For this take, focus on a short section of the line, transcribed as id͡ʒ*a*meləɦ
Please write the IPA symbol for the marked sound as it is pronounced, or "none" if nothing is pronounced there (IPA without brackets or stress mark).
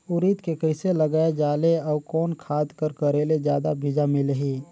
a